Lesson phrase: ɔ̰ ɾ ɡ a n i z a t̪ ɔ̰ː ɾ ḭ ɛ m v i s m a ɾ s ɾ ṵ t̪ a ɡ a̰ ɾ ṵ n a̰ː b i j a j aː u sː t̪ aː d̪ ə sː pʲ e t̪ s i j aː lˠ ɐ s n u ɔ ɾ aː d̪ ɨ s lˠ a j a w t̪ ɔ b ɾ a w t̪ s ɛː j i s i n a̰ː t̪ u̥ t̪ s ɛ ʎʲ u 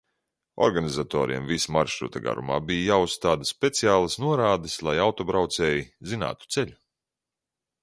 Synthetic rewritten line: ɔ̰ ɾ ɡ a n i z a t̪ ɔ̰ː ɾ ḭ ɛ m v i s m a ɾ ʃ ɾ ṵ t̪ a ɡ a̰ ɾ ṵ m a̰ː b i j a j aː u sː t̪ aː d̪ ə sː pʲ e t̪ s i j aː lˠ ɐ s n u ɔ ɾ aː d̪ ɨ s lˠ a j a w t̪ ɔ b ɾ a w t̪ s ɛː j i z i n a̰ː t̪ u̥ t̪ s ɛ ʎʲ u